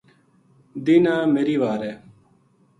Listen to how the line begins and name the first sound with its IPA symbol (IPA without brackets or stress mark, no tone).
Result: d̪